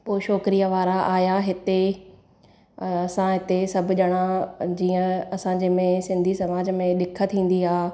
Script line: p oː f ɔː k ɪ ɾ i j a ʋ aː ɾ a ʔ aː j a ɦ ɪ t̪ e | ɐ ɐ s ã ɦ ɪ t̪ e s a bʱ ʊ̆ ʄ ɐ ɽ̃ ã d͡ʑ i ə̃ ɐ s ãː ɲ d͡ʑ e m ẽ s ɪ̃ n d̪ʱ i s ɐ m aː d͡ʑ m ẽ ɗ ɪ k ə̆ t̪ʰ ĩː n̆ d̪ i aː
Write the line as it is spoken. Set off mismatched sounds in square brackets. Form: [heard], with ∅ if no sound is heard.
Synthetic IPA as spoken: p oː [ʃ] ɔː k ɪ ɾ i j a ʋ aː ɾ a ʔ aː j a ɦ ɪ t̪ e | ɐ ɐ s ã ɦ ɪ t̪ e s [ɐ] bʱ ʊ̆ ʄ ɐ ɽ̃ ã d͡ʑ [iː] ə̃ ɐ s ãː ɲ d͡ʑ e m ẽ s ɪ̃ n d̪ʱ i s ɐ m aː d͡ʑ m ẽ ɗ ɪ [kʰ] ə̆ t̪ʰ ĩː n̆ d̪ i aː